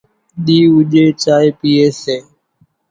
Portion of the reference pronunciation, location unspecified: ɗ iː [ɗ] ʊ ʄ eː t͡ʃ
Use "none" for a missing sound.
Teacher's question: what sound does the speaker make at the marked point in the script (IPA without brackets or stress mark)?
none